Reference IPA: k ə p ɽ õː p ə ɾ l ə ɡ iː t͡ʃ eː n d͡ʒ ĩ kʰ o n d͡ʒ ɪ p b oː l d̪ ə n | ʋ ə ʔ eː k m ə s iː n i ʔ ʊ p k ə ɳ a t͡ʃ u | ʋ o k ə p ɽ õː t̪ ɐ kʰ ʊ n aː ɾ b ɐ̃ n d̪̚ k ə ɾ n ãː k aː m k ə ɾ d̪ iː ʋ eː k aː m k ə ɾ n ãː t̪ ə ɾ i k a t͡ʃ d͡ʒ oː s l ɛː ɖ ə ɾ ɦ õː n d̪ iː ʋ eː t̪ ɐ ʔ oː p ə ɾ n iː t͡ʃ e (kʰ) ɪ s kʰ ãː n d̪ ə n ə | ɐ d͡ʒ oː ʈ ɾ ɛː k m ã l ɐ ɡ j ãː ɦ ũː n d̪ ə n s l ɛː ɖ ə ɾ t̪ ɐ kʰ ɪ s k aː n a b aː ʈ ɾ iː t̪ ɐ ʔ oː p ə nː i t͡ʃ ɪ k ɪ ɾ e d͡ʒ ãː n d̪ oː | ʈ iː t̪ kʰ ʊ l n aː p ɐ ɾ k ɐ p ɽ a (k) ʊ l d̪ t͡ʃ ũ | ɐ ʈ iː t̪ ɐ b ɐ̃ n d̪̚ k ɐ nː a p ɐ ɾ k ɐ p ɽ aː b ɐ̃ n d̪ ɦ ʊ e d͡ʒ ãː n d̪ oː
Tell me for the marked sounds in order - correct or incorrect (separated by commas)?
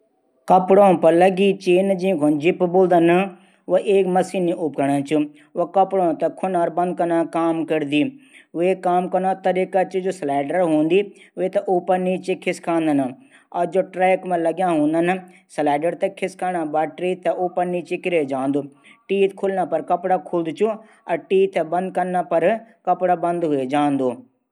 correct, incorrect